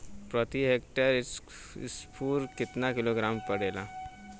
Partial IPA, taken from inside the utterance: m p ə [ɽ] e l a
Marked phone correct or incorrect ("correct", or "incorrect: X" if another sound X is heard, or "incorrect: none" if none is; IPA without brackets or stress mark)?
correct